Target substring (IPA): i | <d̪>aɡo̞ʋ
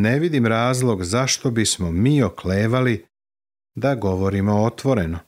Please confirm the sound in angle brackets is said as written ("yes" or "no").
yes